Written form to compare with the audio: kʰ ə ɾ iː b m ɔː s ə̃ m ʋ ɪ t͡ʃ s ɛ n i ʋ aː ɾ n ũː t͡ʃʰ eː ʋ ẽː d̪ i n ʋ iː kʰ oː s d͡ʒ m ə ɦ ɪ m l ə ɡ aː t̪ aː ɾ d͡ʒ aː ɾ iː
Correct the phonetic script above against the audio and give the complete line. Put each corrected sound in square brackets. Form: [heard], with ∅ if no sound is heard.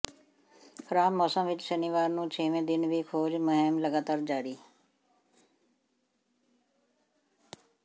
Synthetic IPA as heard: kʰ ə ɾ [aː] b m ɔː s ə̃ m ʋ ɪ t͡ʃ s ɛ n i ʋ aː ɾ n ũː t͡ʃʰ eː ʋ ẽː d̪ [ɪ] n ʋ iː kʰ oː [∅] d͡ʒ m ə ɦ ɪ m l ə ɡ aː t̪ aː ɾ d͡ʒ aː ɾ iː